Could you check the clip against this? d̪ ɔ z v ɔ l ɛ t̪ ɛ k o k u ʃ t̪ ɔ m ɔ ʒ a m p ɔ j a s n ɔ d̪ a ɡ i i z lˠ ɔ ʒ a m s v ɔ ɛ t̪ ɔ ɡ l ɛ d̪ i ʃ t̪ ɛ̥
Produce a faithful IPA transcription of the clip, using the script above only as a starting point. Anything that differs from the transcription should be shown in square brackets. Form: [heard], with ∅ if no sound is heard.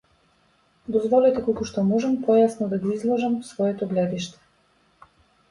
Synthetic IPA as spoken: d̪ ɔ z v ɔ l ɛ t̪ ɛ k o k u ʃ t̪ ɔ m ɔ ʒ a m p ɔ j a s n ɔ d̪ a ɡ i i z lˠ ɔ ʒ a m s v ɔ ɛ t̪ ɔ ɡ l ɛ d̪ i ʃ t̪ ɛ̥

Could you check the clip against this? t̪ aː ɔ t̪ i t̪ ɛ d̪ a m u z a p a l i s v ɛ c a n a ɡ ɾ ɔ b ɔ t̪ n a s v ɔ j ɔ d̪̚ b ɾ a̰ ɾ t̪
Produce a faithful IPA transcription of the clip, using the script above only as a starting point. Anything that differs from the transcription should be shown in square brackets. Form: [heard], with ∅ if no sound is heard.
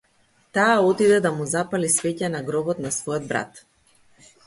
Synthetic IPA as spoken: t̪ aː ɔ t̪ i [d̪] ɛ d̪ a m u z a p a l i s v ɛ c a n a ɡ ɾ ɔ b ɔ t̪ n a s v ɔ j ɔ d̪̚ b ɾ a̰ [∅] t̪

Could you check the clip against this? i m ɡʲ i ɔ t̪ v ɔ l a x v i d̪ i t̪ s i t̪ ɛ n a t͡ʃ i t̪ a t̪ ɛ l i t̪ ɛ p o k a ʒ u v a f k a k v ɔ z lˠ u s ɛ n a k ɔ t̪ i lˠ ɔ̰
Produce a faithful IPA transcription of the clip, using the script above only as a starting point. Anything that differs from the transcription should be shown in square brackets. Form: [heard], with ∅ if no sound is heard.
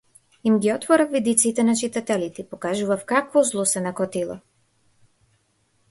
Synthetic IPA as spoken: i m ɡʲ i ɔ t̪ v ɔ [ɾ] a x v i d̪ i t̪ s i t̪ ɛ n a t͡ʃ i t̪ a t̪ ɛ l i t̪ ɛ p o k a ʒ u v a f k a k v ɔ z lˠ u s ɛ n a k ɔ t̪ i lˠ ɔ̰

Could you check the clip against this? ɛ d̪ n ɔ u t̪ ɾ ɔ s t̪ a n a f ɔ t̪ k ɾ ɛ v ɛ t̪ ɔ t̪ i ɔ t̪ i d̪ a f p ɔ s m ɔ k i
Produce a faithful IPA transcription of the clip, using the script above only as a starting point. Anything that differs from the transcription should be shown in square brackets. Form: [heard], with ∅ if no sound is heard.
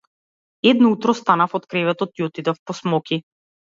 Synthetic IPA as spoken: ɛ d̪ n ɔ u t̪ ɾ ɔ s t̪ a n a f ɔ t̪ k ɾ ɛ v ɛ t̪ ɔ t̪ i ɔ t̪ i d̪ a f p ɔ s m ɔ k i

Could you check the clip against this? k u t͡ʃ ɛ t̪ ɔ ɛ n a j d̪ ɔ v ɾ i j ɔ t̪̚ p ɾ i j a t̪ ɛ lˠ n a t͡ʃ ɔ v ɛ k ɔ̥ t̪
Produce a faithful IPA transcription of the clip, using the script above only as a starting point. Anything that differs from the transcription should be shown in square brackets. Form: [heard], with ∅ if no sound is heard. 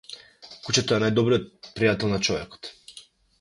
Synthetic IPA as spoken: k u t͡ʃ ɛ t̪ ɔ ɛ n a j d̪ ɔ [b] ɾ i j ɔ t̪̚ p ɾ i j a t̪ ɛ lˠ n a t͡ʃ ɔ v ɛ k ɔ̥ t̪

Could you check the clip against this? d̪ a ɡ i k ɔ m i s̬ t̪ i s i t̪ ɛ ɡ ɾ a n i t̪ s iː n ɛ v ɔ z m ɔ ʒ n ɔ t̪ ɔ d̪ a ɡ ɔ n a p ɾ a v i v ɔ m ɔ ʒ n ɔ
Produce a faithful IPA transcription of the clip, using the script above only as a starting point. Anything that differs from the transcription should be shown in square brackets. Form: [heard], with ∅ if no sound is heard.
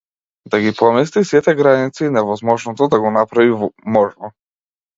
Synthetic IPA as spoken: d̪ a ɡ i [p] ɔ m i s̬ t̪ i s i t̪ ɛ ɡ ɾ a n i t̪ s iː n ɛ v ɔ z m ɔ ʒ n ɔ t̪ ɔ d̪ a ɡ ɔ n a p ɾ a v i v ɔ m ɔ ʒ n ɔ

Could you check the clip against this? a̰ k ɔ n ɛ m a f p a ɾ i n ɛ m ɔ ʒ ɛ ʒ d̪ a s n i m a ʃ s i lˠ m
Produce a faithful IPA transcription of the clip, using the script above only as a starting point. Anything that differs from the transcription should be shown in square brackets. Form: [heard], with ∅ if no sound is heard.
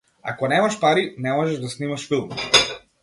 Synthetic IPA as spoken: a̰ k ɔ n ɛ m a [ʃ] p a ɾ i n ɛ m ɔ ʒ ɛ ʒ d̪ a s n i m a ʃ [f] i lˠ m

